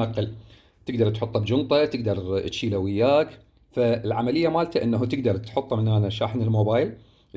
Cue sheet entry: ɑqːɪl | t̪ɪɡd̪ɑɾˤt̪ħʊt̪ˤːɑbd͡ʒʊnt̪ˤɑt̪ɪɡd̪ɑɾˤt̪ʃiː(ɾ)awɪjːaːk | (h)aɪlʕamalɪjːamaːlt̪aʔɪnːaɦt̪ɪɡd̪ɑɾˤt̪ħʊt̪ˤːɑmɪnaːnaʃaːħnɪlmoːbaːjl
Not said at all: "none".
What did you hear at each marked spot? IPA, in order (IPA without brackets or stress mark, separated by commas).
l, f